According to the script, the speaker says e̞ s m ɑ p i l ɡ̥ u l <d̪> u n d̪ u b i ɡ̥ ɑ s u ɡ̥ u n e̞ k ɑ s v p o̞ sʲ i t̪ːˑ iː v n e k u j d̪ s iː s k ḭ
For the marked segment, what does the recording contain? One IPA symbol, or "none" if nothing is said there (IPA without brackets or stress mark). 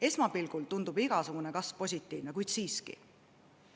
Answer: t̪